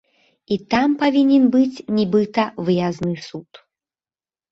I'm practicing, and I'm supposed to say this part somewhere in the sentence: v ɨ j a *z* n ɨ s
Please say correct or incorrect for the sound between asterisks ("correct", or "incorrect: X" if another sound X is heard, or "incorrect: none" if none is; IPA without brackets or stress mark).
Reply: correct